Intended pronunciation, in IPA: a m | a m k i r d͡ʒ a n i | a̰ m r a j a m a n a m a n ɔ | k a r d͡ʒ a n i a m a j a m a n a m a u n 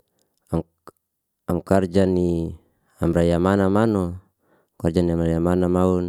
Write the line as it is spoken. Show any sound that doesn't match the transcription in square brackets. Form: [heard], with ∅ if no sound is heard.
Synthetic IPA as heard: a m | a m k [a] r d͡ʒ a n i | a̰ m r a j a m a n a m a n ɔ | k a r d͡ʒ a n i a m a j a m a n a m a u n